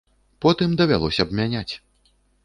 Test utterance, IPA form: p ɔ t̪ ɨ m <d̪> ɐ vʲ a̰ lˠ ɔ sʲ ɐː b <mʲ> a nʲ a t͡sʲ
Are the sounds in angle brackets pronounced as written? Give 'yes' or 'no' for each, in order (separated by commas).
yes, yes